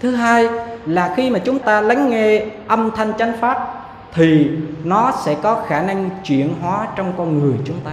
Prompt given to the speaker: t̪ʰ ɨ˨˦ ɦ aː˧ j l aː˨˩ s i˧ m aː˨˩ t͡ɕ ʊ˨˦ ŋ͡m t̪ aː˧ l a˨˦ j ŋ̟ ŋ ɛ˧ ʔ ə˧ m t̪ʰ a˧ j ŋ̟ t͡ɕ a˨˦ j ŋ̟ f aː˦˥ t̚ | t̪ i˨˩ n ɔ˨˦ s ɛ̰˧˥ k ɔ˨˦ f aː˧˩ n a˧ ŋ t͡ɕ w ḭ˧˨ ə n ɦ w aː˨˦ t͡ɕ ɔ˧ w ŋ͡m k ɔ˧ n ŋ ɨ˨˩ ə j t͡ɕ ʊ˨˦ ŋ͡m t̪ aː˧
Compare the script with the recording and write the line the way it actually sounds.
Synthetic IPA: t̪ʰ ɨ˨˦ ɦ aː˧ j l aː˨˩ x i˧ m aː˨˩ t͡ɕ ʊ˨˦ ŋ͡m t̪ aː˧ l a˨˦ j ŋ̟ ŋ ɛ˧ ʔ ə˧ m t̪ʰ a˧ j ŋ̟ t͡ɕ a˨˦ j ŋ̟ f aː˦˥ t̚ | t̪ʰ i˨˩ n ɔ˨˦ s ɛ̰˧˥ k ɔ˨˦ x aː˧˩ n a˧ ŋ t͡ɕ w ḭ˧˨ ə n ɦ w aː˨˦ t͡ɕ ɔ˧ w ŋ͡m k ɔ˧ n ŋ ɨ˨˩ ə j t͡ɕ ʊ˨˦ ŋ͡m t̪ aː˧